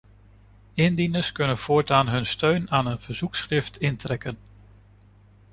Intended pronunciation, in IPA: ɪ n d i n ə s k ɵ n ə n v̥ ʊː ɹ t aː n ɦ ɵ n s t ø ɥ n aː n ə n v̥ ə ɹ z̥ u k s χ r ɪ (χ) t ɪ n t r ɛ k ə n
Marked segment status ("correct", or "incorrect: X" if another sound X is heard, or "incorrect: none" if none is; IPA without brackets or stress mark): incorrect: f